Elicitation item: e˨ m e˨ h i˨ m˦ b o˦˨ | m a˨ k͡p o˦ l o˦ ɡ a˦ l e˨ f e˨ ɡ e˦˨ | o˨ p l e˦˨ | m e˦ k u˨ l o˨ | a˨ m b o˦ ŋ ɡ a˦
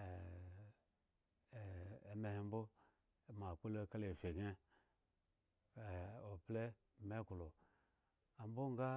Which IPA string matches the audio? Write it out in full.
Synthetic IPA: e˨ m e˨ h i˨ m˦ b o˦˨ | m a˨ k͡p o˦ l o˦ k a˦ l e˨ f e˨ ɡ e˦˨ | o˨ p l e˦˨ | m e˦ k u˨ l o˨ | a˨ m b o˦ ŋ ɡ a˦